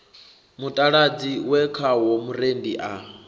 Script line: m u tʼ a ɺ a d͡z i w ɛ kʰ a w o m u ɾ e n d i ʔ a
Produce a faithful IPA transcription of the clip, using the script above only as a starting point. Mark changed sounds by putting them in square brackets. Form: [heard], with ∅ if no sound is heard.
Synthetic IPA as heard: m u tʼ a ɺ a d͡z i w ɛ kʰ a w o m u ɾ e n d i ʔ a